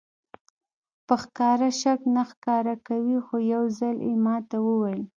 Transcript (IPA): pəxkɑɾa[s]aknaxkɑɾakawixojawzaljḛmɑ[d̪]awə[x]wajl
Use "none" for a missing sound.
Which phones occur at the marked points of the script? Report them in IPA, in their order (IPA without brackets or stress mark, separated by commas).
ʃ, t̪, none